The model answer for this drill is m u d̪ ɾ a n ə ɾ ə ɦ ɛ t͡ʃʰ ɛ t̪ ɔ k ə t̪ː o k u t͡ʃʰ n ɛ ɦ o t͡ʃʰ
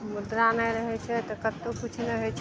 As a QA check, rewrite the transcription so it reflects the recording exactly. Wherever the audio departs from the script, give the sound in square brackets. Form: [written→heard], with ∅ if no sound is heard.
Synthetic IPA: m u d̪ ɾ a n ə ɾ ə ɦ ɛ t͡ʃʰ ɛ t̪ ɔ k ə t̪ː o k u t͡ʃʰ n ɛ ɦ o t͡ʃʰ